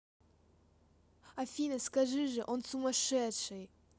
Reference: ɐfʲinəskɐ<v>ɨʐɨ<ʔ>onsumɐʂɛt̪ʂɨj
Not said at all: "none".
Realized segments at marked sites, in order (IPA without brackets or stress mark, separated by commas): ʐ, ʔ